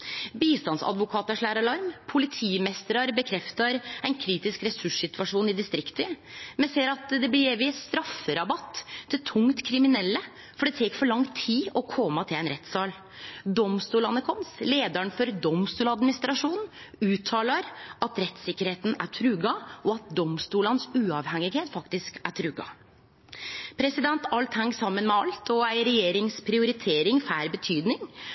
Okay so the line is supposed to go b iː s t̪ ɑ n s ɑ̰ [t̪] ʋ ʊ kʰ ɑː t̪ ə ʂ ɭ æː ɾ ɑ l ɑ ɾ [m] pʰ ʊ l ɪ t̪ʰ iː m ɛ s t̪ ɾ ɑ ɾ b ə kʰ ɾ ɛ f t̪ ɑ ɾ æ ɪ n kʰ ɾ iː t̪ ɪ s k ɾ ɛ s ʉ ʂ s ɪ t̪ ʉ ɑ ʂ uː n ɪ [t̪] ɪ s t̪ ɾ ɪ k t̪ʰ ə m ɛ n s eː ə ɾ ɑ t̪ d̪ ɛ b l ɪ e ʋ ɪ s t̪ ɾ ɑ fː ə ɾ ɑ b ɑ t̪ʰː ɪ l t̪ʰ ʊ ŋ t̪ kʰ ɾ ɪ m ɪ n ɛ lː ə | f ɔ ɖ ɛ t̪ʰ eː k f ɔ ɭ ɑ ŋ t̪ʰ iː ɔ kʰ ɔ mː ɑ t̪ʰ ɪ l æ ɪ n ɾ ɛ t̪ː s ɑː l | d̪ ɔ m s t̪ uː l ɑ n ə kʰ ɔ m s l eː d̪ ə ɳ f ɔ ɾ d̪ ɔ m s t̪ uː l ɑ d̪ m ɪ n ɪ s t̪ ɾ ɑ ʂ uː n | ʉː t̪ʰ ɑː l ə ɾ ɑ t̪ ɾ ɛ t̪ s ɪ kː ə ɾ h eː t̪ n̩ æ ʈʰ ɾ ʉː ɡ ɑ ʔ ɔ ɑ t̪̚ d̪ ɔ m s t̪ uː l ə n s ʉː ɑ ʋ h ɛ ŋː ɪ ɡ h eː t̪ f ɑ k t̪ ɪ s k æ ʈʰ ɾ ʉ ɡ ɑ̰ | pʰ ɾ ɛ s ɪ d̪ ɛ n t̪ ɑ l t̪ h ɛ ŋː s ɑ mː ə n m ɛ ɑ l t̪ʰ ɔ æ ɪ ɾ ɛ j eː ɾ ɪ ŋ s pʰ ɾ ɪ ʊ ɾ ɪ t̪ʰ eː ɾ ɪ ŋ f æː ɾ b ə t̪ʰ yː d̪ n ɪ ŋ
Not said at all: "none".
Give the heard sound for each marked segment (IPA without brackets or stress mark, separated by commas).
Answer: d̪, m, d̪